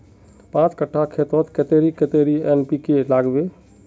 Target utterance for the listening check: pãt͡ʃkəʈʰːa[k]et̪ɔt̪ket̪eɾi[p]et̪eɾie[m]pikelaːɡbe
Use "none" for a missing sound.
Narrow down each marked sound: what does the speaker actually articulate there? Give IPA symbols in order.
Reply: kʰ, k, n

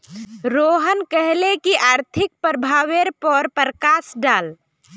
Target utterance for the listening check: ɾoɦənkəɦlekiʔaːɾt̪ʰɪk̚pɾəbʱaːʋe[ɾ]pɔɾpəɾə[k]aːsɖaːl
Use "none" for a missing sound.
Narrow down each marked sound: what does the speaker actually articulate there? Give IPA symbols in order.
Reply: ɾ, k

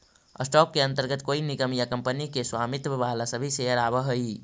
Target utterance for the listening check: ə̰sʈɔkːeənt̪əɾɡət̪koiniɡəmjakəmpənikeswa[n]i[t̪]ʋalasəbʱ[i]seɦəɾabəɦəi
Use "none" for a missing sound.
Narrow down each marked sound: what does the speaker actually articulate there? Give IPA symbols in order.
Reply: m, t̪, i

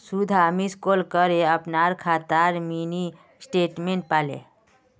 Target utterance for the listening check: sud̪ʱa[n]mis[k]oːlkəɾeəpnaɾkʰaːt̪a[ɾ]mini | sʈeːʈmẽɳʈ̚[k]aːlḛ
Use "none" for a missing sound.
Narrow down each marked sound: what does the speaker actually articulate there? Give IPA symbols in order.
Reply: none, k, ɾ, p

